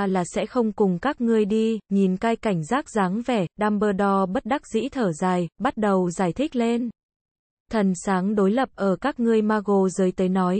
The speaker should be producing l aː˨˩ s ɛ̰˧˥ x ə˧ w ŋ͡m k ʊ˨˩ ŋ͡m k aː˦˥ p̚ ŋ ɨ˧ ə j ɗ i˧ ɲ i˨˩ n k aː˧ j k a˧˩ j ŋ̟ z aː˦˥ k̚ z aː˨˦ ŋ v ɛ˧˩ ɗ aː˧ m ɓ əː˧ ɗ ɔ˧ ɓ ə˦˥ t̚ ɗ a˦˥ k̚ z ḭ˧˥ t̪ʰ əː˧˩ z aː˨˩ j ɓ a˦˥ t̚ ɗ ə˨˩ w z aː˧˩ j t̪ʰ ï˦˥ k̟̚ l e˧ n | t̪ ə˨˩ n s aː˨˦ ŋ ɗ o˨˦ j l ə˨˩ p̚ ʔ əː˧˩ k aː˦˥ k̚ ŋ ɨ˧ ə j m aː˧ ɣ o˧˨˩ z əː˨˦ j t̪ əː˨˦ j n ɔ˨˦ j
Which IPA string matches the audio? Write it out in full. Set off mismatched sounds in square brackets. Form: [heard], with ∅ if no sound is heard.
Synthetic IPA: l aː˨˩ s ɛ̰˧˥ x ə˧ w ŋ͡m k ʊ˨˩ ŋ͡m k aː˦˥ [k̚] ŋ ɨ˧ ə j ɗ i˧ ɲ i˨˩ n k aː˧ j k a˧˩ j ŋ̟ z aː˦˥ k̚ z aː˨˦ ŋ v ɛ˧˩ ɗ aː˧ m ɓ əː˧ ɗ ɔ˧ ɓ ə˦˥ t̚ ɗ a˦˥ k̚ z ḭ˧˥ t̪ʰ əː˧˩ z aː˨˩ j ɓ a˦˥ t̚ ɗ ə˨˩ w z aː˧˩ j t̪ʰ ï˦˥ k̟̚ l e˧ n | [t̪ʰ] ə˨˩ n s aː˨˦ ŋ ɗ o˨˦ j l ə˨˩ p̚ ʔ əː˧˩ k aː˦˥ k̚ ŋ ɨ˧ ə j m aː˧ ɣ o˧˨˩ z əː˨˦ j t̪ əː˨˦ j n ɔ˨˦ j